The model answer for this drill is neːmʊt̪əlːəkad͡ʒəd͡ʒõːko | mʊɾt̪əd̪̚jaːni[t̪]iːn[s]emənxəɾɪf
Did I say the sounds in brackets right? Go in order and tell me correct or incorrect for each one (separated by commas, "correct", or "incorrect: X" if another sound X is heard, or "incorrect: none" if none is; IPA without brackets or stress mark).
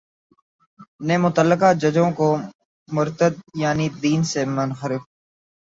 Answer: incorrect: d̪, correct